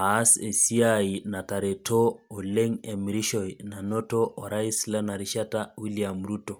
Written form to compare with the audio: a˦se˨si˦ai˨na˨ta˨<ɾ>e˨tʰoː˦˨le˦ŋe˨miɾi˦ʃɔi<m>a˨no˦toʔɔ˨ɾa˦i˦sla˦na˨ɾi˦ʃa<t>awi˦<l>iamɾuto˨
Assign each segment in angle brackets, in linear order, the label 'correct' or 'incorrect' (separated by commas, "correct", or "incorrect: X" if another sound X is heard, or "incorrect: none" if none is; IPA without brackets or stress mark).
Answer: correct, incorrect: n, correct, correct